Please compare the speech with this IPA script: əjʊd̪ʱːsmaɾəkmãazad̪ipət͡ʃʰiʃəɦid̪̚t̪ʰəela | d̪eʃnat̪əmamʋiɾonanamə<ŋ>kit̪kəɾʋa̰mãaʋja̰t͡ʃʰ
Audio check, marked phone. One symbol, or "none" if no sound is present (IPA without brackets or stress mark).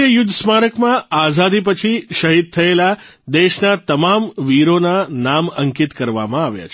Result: ŋ